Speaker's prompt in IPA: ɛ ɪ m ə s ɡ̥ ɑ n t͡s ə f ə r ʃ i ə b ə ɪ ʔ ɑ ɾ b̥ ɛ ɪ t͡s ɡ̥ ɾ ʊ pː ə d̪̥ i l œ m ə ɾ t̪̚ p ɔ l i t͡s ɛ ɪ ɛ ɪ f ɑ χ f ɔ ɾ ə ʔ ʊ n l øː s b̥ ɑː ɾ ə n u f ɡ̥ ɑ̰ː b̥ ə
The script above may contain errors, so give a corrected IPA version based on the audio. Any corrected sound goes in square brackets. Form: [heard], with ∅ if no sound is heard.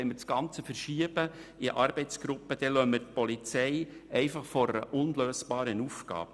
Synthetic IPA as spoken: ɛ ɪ m ə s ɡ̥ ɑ n t͡s ə f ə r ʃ i ə b ə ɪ ʔ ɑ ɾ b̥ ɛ ɪ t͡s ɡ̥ ɾ ʊ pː ə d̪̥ [ɛ] l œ m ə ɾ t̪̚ p ɔ l i t͡s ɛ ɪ ɛ ɪ f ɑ χ f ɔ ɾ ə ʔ ʊ n l øː s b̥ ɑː ɾ ə n u f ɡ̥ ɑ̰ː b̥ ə